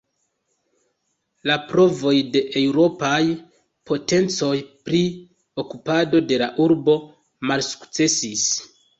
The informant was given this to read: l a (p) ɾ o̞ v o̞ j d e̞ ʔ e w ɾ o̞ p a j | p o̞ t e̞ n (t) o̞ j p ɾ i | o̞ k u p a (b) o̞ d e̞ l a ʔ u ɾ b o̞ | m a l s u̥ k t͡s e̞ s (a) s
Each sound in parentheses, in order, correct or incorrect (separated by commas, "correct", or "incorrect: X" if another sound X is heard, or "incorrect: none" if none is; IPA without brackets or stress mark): correct, incorrect: t͡s, incorrect: d, incorrect: i